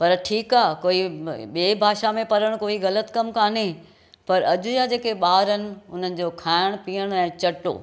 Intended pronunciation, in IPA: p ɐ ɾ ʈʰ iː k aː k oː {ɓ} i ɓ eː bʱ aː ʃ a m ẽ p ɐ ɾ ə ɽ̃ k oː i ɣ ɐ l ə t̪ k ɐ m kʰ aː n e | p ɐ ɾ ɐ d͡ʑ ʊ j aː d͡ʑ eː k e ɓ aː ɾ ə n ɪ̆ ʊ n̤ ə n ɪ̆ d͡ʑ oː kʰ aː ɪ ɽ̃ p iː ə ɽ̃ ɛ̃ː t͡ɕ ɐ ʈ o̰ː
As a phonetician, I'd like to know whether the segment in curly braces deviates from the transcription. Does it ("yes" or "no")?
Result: yes